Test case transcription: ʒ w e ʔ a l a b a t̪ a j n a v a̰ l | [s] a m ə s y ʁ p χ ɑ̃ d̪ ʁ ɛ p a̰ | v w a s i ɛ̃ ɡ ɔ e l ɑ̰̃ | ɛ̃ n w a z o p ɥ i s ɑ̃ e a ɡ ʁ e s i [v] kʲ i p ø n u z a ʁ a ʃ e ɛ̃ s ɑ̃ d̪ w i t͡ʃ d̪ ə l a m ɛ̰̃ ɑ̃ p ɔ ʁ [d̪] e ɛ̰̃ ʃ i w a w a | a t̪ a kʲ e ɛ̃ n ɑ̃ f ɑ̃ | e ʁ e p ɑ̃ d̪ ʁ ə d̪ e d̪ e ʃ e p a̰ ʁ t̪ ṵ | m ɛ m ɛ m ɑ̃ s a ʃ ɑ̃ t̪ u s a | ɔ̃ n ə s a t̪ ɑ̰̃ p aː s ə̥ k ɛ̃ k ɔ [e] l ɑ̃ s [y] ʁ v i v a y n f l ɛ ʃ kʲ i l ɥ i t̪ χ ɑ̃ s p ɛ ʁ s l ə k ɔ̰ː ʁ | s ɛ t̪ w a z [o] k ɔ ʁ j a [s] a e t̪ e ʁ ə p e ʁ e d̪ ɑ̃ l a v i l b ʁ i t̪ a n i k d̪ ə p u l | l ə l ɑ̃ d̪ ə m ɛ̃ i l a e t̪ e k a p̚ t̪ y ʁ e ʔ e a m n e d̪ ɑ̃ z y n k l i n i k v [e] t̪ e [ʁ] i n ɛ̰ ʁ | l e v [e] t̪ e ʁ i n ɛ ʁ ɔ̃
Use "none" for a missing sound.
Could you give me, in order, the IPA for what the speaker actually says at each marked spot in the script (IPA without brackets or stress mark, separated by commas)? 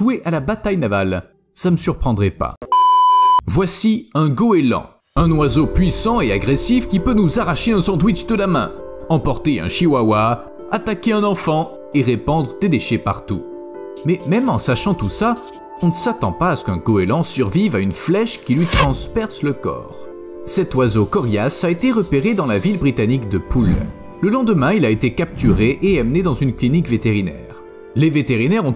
s, f, t̪, e, y, o, s, e, ʁ, e